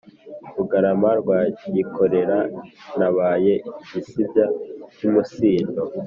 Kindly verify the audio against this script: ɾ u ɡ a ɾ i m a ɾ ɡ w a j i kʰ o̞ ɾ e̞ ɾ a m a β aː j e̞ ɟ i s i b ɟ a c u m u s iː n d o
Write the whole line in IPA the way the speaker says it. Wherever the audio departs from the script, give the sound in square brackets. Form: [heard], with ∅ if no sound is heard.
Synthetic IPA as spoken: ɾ u ɡ a ɾ [a] m a ɾ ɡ w a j i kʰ o̞ ɾ e̞ ɾ a [n] a β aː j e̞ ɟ i s i b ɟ a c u m u s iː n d o

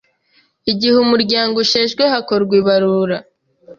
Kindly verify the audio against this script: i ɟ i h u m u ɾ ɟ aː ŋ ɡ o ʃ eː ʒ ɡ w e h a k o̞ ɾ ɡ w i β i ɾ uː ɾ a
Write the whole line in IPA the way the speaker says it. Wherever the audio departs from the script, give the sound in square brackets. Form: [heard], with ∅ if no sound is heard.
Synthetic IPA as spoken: i ɟ i h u m u ɾ ɟ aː ŋ ɡ o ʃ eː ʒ ɡ w e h a k o̞ ɾ ɡ w i β [a] ɾ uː ɾ a

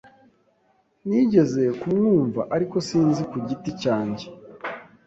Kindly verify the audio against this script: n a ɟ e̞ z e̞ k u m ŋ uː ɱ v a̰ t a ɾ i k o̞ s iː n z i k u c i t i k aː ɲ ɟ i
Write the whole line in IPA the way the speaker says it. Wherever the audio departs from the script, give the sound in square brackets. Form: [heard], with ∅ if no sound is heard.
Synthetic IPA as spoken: n [i] ɟ e̞ z e̞ k u m ŋ uː ɱ v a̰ [ʔ] a ɾ i k o̞ s iː n z i k u [ɟ] i t i [c] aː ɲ ɟ [e]

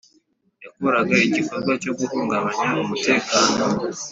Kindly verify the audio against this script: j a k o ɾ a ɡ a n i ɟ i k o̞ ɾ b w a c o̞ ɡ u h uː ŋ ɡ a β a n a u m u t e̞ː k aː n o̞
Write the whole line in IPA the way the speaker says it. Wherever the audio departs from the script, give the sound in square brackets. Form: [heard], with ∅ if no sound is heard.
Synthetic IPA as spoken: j a k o ɾ a ɡ a [∅] i ɟ i k o̞ ɾ [ɡ] w a c o̞ ɡ u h uː ŋ ɡ a β a [ɲ] a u m u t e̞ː k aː n o̞

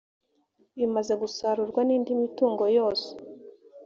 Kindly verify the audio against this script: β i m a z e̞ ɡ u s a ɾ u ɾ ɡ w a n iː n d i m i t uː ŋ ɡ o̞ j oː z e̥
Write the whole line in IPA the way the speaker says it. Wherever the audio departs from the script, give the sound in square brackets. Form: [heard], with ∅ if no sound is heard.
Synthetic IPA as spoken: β i m a z e̞ ɡ u s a ɾ u ɾ ɡ w a n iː n d i m i t uː ŋ ɡ o̞ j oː [s] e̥

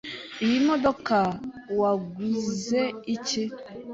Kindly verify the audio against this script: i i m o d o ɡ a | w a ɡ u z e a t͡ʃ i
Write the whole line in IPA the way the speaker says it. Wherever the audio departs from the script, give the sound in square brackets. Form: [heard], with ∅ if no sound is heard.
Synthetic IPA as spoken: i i m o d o [k] a | w a ɡ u z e [i] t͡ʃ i

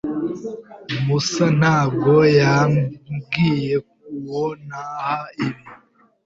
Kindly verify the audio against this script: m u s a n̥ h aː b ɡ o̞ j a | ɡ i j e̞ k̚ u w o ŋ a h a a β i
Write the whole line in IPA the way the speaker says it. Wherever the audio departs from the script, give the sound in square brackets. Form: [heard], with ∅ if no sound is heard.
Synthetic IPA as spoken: m u s a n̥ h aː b ɡ o̞ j a | ɡ i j e̞ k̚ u w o [n] a h a [i] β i

